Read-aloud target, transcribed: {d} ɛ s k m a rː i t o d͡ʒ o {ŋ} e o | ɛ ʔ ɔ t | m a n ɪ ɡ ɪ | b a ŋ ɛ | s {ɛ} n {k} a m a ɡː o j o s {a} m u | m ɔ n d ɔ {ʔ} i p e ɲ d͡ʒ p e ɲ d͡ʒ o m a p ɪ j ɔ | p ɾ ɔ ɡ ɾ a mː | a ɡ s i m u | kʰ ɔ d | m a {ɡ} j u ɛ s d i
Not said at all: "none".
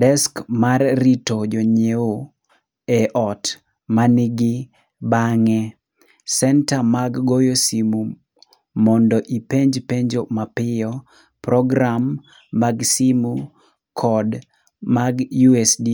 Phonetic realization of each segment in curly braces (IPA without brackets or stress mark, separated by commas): d, ɲ, ɛ, t, i, ʔ, ɡ